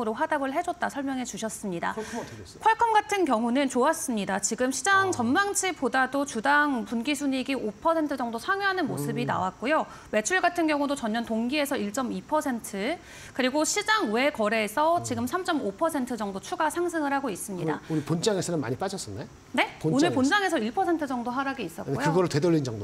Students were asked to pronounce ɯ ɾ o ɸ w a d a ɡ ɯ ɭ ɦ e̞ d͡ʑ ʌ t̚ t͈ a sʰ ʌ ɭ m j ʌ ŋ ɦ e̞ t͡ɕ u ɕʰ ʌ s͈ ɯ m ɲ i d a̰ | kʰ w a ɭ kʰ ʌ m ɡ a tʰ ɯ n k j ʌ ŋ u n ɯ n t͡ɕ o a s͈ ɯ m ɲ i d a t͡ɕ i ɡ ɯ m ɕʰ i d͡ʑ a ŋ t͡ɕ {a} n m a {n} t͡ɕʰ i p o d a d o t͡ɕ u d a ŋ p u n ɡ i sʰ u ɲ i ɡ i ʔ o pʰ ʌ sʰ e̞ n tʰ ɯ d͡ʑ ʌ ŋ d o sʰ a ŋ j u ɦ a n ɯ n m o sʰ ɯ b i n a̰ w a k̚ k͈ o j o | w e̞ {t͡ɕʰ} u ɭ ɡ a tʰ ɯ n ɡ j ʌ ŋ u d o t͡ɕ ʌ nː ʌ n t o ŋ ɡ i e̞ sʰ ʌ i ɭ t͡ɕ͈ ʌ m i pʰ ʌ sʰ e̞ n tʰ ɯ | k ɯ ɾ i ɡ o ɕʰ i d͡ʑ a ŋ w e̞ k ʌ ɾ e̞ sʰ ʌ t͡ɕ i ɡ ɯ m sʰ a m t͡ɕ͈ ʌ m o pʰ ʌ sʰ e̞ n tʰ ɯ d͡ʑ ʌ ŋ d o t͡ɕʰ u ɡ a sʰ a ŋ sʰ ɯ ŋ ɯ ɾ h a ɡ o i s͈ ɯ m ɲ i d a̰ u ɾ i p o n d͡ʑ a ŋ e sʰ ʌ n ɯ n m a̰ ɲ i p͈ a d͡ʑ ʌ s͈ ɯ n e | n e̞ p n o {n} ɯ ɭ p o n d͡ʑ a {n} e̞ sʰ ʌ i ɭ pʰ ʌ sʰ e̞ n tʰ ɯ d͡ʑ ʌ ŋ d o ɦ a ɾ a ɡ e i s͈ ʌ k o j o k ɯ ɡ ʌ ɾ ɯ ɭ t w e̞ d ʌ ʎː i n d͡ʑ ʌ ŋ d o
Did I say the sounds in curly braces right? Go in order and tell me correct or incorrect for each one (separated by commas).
incorrect, incorrect, correct, correct, incorrect